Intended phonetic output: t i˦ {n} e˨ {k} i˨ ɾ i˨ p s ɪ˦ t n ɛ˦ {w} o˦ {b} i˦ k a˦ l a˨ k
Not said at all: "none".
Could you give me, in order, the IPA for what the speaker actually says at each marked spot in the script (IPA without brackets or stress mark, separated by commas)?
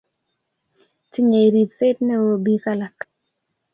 ɲ, none, w, b